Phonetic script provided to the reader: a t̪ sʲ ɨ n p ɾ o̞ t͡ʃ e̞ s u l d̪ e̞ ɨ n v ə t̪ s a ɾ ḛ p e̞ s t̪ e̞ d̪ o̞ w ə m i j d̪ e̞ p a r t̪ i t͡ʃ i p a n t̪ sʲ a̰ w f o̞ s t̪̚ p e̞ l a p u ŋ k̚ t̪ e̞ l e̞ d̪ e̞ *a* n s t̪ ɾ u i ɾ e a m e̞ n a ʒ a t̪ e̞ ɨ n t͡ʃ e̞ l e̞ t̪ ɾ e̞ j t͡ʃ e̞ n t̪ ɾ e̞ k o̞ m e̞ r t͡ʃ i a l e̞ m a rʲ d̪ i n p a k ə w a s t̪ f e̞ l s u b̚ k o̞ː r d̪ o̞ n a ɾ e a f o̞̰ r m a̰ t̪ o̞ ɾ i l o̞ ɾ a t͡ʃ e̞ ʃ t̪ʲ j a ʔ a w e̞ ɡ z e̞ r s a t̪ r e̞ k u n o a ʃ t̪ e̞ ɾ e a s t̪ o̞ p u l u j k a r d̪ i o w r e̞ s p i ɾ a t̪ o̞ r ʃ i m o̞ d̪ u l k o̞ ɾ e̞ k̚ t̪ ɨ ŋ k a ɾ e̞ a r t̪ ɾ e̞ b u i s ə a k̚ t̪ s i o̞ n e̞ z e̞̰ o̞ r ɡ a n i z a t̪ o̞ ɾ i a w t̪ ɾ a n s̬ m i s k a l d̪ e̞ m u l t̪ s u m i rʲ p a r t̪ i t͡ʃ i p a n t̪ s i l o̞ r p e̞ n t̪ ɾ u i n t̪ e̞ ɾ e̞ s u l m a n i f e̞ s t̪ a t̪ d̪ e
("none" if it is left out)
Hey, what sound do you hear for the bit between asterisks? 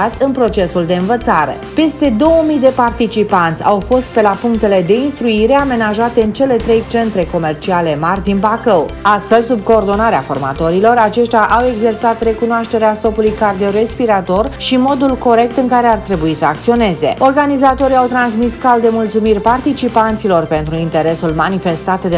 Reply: i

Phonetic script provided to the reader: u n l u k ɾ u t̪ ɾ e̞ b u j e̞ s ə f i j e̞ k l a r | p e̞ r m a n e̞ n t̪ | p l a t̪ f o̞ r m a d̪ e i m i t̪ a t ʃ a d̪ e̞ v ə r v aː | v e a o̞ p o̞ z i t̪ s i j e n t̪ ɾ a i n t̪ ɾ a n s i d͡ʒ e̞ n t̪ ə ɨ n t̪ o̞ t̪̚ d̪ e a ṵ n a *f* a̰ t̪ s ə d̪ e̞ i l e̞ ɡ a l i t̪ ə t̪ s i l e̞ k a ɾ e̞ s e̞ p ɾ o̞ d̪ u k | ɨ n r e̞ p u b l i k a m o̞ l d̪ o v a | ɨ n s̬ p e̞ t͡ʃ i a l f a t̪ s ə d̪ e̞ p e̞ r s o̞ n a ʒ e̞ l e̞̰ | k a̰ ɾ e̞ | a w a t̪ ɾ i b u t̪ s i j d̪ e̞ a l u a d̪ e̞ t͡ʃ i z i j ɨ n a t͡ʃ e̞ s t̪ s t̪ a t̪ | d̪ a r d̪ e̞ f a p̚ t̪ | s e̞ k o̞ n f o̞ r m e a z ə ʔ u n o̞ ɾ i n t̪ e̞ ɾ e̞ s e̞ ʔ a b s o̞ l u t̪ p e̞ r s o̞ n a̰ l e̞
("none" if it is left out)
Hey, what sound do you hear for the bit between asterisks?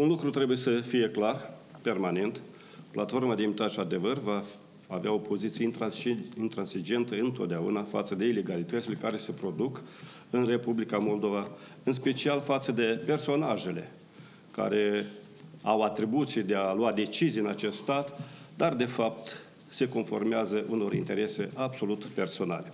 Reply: f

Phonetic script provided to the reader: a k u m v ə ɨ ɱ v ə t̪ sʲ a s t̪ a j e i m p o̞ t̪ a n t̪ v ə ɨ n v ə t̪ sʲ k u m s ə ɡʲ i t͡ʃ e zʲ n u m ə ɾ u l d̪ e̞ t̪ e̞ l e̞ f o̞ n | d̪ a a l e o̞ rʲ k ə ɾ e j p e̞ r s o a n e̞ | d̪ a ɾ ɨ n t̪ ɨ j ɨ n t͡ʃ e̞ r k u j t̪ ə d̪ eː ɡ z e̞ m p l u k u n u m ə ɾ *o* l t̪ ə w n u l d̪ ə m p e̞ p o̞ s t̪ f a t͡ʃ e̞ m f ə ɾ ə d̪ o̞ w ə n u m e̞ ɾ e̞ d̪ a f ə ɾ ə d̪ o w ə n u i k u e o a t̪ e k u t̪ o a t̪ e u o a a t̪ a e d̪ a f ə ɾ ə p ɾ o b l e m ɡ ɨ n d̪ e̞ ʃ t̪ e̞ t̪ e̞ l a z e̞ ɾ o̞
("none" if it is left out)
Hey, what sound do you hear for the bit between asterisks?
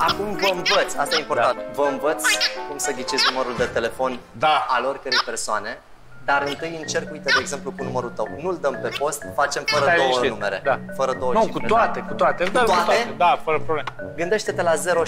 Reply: u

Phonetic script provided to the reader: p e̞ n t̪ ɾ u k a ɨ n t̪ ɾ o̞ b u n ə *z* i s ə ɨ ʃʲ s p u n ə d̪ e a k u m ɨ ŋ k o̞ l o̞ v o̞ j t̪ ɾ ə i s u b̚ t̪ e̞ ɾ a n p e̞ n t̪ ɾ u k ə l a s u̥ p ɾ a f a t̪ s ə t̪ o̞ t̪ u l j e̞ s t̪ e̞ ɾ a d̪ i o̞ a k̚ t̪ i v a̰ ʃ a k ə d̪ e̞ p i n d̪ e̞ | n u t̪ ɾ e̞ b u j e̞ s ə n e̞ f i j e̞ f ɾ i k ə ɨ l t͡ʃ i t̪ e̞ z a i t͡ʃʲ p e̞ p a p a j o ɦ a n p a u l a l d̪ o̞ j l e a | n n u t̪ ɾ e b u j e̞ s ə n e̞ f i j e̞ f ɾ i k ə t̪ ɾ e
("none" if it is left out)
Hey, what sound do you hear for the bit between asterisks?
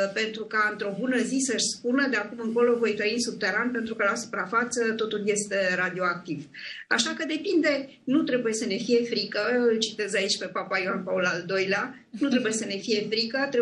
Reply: z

